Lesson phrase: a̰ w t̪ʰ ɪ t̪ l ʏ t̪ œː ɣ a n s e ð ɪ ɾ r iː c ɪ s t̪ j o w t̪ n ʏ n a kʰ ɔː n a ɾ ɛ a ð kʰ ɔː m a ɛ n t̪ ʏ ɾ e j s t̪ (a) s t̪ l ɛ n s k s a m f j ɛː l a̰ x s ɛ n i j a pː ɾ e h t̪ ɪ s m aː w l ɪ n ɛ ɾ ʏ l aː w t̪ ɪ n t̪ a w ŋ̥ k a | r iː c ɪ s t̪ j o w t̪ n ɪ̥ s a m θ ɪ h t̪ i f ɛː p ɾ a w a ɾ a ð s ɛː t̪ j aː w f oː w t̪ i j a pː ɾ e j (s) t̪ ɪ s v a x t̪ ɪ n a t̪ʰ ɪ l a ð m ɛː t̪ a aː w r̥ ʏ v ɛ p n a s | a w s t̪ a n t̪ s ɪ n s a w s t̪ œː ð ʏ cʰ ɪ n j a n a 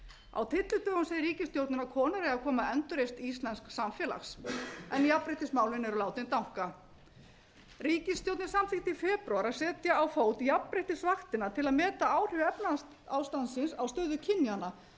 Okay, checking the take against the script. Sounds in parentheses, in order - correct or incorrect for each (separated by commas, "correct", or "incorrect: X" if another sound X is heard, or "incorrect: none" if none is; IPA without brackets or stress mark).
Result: incorrect: i, incorrect: h